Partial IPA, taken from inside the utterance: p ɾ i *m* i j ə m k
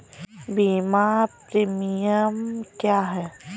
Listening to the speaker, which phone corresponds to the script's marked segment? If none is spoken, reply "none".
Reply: m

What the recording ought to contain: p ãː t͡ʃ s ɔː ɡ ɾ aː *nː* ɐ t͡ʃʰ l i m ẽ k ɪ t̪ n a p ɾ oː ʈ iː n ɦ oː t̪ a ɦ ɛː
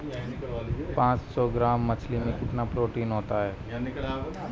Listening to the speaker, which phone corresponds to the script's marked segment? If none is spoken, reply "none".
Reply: mː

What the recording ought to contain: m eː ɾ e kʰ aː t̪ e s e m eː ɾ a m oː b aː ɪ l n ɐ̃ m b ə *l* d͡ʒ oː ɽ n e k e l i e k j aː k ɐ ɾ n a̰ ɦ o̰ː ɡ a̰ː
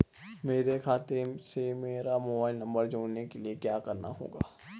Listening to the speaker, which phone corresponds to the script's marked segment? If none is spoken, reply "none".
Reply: ɾ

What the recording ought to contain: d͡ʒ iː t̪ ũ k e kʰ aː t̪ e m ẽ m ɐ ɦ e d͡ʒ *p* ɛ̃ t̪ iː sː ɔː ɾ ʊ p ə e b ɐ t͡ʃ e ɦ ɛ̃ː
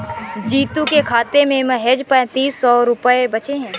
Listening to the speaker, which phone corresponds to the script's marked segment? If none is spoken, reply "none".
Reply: p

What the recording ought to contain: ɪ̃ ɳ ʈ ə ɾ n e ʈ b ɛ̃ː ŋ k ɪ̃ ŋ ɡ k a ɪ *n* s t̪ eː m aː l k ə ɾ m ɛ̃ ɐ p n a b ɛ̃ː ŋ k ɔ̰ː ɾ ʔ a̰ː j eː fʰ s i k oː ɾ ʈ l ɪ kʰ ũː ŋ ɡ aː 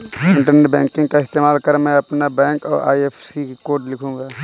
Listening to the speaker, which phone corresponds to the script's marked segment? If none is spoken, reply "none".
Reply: none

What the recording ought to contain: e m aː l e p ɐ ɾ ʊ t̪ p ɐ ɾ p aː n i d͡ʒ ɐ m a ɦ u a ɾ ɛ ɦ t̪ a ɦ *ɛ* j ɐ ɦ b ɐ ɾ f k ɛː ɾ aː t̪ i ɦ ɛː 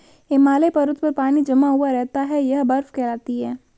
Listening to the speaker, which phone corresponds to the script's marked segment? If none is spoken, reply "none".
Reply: ɛ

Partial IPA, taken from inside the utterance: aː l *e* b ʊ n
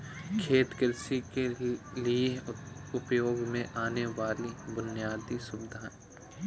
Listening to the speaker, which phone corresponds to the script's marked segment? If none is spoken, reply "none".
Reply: i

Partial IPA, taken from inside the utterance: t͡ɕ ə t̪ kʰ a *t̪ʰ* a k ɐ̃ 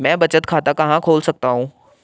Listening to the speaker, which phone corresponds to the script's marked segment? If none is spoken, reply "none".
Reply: t̪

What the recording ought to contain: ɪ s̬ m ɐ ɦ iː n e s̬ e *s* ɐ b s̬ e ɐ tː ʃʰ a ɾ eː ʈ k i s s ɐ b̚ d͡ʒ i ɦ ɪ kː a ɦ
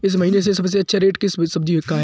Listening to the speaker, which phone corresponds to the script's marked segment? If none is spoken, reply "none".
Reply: s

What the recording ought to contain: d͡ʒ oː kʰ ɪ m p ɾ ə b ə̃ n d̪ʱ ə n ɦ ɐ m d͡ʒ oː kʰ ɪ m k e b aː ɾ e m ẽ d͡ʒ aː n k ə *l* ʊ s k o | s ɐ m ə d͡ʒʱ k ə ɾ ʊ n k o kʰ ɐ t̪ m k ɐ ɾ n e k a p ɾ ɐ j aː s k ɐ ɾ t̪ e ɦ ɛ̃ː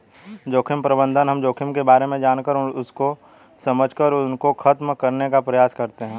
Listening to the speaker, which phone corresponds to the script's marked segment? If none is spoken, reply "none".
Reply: ɾ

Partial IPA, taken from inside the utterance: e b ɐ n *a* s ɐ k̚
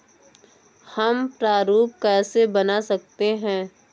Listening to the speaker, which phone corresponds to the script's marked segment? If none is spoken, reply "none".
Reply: a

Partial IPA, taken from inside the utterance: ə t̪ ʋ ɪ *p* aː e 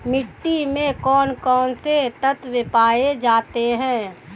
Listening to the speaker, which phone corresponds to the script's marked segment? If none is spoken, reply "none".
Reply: p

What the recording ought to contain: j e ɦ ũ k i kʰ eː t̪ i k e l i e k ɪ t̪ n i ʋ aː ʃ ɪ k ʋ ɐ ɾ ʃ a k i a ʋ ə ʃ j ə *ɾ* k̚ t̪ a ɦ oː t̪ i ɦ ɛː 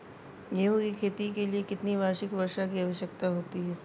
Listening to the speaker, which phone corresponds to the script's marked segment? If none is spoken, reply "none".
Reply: none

